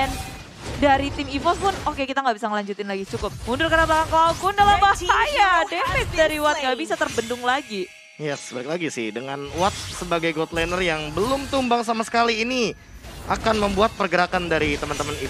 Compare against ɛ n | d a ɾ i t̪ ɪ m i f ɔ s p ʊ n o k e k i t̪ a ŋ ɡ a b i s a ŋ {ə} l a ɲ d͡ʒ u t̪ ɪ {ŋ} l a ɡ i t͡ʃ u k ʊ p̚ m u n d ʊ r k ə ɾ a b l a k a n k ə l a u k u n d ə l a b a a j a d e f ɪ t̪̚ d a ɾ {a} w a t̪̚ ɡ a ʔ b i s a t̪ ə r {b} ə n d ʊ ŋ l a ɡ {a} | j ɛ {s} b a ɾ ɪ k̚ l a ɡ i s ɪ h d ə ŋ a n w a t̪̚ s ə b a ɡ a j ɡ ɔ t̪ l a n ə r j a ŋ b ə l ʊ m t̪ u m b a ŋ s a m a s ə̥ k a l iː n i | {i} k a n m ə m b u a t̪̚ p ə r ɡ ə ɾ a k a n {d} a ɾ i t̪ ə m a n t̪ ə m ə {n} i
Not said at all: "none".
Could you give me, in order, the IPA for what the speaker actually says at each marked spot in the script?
ə, n, i, b, i, s, a, d, n

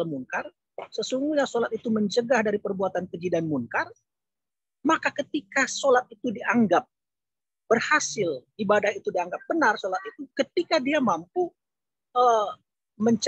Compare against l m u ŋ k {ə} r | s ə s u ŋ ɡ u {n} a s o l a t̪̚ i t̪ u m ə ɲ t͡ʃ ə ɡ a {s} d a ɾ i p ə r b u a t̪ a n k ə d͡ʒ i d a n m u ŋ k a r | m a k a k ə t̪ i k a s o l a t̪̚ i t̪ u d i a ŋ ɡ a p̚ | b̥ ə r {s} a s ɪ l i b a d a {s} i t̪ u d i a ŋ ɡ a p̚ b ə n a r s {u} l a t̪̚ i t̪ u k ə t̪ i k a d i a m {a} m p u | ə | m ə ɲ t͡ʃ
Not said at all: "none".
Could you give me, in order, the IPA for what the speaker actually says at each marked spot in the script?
a, ɲ, h, h, h, o, a

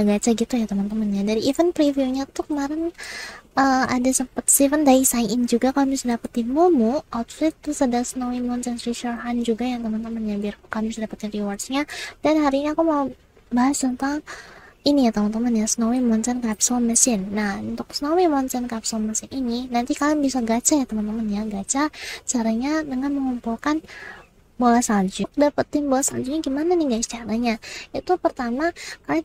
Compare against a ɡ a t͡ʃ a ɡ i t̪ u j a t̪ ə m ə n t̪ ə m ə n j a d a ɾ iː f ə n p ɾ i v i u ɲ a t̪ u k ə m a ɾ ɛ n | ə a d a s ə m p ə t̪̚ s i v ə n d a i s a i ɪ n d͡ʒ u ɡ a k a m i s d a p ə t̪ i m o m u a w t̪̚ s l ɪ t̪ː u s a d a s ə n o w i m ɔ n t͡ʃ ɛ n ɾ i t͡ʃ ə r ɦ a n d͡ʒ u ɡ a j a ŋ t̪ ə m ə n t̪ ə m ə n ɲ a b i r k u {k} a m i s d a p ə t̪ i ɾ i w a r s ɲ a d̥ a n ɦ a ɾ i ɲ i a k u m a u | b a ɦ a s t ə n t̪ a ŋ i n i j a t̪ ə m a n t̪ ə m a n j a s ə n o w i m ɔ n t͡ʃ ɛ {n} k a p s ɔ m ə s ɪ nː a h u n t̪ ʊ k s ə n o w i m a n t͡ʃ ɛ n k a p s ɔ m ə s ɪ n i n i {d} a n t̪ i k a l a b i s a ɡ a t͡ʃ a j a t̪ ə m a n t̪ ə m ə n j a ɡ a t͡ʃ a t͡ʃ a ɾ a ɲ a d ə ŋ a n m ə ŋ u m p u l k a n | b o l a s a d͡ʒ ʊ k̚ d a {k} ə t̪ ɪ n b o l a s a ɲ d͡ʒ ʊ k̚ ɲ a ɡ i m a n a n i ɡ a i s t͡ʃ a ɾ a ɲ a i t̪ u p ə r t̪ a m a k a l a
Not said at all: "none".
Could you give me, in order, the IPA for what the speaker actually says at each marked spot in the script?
k, n, n, p

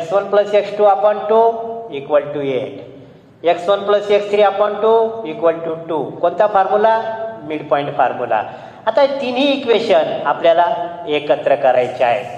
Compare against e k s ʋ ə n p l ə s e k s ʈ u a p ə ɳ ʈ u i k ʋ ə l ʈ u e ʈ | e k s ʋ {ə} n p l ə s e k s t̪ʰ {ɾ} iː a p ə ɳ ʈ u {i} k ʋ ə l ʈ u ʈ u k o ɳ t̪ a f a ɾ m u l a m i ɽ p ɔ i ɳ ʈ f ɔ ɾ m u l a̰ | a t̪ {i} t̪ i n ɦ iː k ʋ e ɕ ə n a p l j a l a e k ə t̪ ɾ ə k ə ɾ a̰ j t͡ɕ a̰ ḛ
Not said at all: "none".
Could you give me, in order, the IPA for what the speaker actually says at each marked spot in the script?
ə, ɾ, i, a

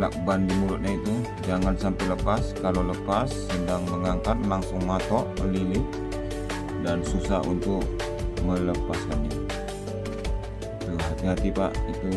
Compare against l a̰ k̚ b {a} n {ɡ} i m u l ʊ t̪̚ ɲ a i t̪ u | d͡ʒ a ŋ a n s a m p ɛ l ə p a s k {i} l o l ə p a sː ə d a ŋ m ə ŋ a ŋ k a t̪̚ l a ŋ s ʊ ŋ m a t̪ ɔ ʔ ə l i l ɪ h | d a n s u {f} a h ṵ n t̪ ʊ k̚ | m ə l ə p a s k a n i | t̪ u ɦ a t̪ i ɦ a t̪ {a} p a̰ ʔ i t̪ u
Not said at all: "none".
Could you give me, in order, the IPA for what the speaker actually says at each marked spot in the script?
a, d, a, s, i

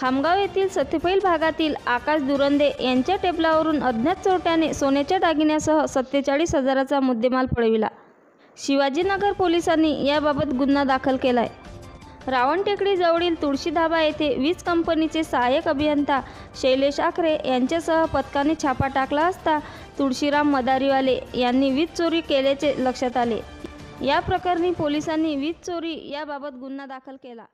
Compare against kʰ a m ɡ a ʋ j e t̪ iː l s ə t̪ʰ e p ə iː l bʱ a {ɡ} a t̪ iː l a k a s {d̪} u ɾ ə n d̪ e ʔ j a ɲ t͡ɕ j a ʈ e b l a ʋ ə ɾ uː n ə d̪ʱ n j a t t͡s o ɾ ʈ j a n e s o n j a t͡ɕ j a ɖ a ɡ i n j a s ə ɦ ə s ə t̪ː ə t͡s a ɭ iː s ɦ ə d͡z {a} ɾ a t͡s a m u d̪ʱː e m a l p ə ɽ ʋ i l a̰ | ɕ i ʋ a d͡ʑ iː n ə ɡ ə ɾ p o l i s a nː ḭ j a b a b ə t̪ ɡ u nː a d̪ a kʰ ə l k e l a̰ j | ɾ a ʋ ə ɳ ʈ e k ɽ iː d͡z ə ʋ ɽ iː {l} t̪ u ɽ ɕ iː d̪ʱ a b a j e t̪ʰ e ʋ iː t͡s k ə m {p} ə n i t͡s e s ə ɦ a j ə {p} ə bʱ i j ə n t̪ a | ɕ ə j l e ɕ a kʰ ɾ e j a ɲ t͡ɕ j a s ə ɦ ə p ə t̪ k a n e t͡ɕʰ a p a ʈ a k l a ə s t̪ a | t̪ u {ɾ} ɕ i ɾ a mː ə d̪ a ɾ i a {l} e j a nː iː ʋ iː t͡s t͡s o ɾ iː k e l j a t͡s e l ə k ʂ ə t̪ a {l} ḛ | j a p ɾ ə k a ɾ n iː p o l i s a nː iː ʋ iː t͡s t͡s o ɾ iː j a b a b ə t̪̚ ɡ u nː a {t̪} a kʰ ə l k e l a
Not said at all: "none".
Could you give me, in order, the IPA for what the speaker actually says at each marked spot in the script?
ɡ, d̪, a, l, p, k, ɽ, l, l, d̪

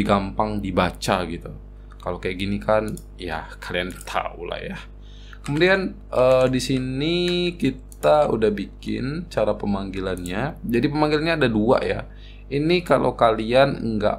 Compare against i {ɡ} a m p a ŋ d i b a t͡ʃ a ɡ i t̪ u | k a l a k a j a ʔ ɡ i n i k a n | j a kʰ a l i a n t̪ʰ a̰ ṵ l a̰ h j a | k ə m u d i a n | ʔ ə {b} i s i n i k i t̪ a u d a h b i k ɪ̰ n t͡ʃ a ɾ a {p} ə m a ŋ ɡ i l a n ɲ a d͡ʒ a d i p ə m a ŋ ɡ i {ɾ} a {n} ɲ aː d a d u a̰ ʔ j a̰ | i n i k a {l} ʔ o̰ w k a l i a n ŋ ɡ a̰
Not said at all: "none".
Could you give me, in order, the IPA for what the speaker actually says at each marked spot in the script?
ɡ, d, p, l, n, l

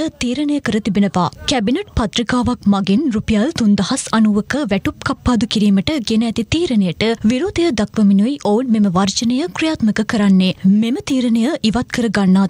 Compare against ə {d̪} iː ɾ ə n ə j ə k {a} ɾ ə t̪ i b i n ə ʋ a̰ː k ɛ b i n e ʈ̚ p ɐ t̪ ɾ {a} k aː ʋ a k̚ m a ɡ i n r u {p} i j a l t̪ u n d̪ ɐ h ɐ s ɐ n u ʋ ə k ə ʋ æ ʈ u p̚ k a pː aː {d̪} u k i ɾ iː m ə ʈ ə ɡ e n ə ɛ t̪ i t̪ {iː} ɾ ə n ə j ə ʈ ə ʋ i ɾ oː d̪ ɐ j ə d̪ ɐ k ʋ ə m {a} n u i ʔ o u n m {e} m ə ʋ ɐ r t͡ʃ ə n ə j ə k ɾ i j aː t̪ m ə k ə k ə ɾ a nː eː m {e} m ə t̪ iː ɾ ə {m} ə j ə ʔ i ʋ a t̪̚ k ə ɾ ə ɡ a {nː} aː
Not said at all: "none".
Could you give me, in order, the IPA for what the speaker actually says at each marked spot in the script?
t̪, ə, i, p, d̪, iː, i, e, e, n, nː

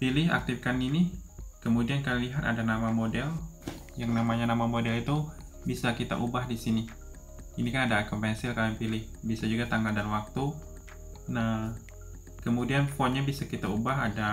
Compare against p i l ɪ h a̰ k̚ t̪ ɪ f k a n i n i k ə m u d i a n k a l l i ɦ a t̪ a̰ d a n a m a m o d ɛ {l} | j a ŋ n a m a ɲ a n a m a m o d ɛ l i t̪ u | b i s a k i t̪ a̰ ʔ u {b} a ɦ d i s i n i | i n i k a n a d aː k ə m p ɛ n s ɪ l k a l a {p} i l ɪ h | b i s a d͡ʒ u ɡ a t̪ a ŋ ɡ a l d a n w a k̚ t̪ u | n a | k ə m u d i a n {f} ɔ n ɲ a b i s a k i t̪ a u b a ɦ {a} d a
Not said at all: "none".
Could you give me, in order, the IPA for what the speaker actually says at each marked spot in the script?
l, b, p, f, a

